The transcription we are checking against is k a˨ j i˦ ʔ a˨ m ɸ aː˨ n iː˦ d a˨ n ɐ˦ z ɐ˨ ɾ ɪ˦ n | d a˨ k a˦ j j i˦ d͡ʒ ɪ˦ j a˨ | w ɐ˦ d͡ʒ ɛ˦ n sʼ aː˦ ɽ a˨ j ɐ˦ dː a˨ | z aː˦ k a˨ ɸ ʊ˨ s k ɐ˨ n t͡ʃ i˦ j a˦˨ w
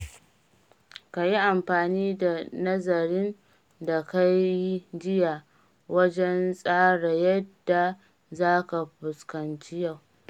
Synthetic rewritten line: k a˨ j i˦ ʔ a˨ m ɸ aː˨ n iː˦ d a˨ n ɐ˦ z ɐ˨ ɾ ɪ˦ n | d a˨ k a˦ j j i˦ d͡ʒ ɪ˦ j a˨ | w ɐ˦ d͡ʒ ɛ˦ n sʼ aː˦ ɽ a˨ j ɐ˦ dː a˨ | z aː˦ k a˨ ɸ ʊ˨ s k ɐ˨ n t͡ʃ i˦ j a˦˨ w